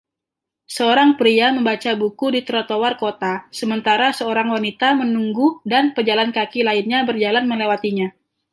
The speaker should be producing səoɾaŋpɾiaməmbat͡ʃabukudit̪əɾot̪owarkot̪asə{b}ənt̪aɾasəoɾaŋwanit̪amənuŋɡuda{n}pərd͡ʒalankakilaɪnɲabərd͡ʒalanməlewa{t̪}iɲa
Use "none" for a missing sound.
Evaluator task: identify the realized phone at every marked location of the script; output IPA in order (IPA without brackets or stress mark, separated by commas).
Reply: m, n, t̪